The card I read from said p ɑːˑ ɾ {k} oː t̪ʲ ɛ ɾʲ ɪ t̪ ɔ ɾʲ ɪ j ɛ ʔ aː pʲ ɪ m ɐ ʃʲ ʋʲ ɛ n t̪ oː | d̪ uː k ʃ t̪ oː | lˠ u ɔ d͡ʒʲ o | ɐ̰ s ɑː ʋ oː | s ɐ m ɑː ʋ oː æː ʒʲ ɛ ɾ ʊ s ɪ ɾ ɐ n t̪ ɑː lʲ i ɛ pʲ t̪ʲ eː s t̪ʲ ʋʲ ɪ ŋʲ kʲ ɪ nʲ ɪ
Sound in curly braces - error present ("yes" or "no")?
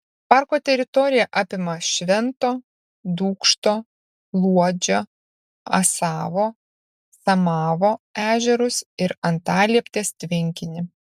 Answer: no